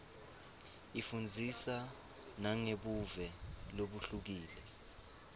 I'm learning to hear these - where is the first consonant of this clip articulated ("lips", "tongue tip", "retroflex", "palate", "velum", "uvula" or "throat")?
lips